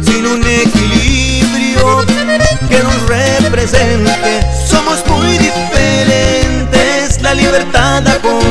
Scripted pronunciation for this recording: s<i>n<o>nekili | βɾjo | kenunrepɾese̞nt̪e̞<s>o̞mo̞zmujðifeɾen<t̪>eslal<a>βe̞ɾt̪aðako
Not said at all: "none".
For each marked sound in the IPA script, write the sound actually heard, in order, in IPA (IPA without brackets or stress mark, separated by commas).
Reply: i, u, s, t̪, i